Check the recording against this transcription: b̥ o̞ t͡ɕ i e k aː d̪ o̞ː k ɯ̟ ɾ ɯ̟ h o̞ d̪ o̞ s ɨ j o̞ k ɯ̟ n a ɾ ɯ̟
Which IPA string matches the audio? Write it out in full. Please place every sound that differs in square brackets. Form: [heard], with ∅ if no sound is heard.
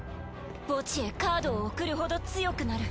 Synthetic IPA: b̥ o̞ t͡ɕ i e k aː d̪ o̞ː k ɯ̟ ɾ ɯ̟ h o̞ d̪ o̞ [t͡s] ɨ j o̞ k ɯ̟ n a ɾ ɯ̟